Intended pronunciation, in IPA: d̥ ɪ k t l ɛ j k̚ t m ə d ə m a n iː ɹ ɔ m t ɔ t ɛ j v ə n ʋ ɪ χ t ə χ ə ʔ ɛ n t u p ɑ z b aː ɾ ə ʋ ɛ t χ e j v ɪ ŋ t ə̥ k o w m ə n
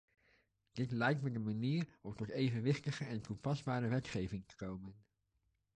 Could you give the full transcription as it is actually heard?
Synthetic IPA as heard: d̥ ɪ t l ɛ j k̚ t m ə d ə m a n iː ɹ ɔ m t ɔ t e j v ə n ʋ ɪ χ t ə χ ə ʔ ɛ n t u p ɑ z b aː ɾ ə ʋ ɛ t χ e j v ɪ ŋ t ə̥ k o w m ə n